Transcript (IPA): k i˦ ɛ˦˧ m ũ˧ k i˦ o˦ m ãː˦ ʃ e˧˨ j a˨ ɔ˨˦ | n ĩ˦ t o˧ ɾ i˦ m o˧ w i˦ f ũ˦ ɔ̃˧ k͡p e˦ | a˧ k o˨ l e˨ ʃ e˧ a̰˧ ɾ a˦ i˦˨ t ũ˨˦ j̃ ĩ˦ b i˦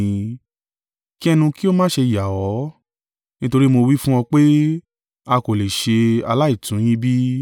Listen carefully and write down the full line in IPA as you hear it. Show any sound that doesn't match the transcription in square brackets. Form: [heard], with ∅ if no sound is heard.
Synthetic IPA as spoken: k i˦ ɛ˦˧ [n] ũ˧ k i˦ o˦ m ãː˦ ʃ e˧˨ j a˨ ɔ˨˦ | n ĩ˦ t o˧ ɾ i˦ m o˧ w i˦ f ũ˦ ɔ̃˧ k͡p e˦ | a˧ k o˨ l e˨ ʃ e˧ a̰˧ [l] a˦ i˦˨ t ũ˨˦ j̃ ĩ˦ b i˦